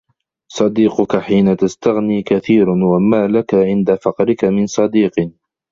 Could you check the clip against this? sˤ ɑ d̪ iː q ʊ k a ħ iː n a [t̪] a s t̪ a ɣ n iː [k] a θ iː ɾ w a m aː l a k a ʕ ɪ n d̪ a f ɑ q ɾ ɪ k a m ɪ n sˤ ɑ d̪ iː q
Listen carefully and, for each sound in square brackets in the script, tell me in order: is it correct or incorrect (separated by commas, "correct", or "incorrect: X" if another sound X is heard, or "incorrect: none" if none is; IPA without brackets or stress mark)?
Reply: correct, correct